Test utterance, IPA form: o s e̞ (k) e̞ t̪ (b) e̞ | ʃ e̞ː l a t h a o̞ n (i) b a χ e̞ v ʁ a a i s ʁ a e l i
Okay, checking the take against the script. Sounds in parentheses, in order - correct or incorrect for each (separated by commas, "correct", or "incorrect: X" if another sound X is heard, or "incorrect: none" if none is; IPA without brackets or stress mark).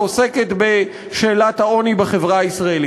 correct, correct, correct